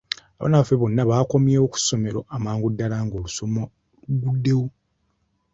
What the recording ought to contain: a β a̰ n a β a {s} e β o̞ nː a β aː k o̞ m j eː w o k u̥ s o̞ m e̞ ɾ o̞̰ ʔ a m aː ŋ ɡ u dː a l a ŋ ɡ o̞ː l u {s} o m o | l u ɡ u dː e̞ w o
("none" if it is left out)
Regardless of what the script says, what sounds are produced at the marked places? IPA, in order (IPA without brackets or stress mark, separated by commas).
f, s